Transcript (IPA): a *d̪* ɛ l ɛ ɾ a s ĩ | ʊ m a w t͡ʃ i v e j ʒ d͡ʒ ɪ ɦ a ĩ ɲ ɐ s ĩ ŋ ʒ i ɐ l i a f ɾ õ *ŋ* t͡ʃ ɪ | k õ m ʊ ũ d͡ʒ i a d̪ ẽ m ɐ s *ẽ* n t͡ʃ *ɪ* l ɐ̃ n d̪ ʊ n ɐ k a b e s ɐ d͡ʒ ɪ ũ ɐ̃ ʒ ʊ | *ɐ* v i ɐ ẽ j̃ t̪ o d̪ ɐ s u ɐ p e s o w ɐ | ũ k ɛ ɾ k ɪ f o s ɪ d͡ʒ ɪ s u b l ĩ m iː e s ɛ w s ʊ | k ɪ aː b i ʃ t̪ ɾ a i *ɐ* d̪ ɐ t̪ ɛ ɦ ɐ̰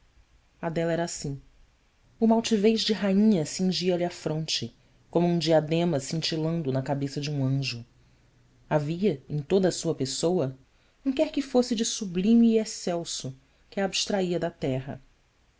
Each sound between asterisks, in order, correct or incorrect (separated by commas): correct, incorrect, incorrect, incorrect, incorrect, correct